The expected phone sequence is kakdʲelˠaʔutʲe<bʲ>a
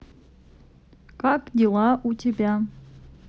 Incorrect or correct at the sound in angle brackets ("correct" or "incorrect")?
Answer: correct